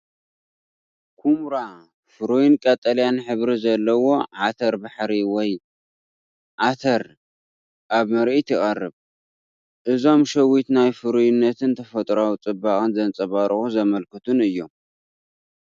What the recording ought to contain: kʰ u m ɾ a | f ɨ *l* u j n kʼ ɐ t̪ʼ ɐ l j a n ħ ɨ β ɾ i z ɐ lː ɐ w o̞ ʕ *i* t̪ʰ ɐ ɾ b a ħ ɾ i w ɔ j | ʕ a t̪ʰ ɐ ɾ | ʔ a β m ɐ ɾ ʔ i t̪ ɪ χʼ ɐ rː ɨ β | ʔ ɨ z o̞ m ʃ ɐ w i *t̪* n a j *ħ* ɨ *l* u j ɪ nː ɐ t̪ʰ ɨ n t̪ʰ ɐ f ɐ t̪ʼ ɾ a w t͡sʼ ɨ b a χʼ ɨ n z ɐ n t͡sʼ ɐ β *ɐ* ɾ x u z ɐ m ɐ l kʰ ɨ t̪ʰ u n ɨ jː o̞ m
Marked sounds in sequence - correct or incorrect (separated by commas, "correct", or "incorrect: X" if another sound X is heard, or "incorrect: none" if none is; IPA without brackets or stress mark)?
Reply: incorrect: ɾ, incorrect: a, correct, incorrect: f, incorrect: ɾ, incorrect: a